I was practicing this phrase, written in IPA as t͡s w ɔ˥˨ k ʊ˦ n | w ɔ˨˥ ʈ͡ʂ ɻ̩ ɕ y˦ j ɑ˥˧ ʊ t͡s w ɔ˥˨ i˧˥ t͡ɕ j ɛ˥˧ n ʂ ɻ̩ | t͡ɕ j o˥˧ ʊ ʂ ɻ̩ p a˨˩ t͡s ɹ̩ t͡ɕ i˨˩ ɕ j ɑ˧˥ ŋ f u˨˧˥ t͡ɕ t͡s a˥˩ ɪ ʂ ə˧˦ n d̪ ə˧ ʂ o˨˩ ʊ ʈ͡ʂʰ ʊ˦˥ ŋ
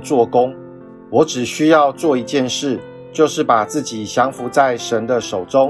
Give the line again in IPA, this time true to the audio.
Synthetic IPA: t͡s w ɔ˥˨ k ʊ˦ ŋ | w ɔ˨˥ ʈ͡ʂ ɻ̩ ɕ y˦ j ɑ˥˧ ʊ t͡s w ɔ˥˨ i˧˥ t͡ɕ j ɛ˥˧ n ʂ ɻ̩ | t͡ɕ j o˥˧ ʊ ʂ ɻ̩ p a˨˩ t͡s ɹ̩ t͡ɕ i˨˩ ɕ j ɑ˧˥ ŋ f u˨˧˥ t͡s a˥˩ ɪ ʂ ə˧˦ n d̪ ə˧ ʂ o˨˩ ʊ ʈ͡ʂ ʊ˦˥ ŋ